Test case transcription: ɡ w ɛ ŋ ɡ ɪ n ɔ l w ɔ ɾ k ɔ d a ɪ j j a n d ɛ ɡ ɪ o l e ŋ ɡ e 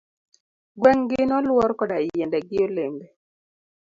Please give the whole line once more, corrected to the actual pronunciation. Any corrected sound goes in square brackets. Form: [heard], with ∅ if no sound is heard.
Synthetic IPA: ɡ w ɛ ŋ ɡ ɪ n ɔ l w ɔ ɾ k ɔ d a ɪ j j [ɛ] n d ɛ ɡ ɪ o l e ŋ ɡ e